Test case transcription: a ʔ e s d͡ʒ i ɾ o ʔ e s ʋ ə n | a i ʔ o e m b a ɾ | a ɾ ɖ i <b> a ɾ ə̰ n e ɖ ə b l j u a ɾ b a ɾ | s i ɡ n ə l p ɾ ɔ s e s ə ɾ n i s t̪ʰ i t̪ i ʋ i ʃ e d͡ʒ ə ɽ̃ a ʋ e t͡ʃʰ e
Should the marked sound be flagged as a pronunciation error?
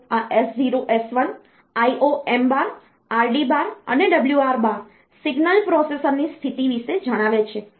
no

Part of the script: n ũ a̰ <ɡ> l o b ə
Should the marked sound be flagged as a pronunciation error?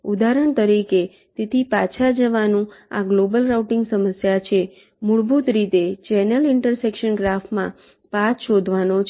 no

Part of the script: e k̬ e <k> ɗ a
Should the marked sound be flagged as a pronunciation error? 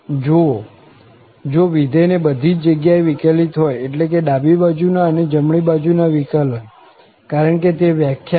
yes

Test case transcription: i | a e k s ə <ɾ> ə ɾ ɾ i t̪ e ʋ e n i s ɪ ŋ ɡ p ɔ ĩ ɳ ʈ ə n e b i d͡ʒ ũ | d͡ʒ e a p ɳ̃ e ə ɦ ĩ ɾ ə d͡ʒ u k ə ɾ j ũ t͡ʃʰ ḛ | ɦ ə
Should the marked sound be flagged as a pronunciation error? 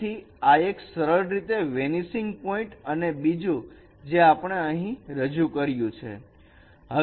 no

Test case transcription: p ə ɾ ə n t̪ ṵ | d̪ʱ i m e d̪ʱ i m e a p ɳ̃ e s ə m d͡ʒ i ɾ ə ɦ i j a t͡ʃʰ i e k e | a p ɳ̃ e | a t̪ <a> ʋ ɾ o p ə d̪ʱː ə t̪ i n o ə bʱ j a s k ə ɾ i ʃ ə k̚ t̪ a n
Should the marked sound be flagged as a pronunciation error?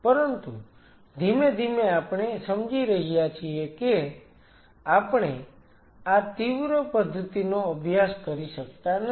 yes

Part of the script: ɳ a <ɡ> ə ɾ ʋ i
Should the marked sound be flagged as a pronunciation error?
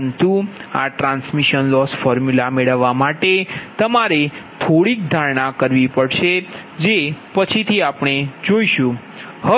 yes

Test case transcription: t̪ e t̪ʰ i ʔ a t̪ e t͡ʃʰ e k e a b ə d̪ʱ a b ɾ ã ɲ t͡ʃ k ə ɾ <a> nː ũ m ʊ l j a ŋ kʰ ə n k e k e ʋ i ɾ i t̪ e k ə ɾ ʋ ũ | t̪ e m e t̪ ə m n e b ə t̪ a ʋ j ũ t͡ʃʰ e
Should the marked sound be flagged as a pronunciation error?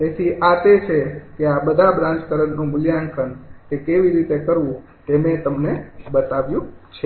yes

